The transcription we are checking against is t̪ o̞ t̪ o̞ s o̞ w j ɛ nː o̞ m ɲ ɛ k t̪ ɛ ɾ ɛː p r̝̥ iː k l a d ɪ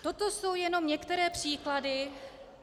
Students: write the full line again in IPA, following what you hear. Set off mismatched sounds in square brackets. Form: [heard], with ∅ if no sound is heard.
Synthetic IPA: t̪ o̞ t̪ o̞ s o̞ w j ɛ [n] o̞ m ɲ ɛ k t̪ ɛ ɾ ɛː p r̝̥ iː k l a d ɪ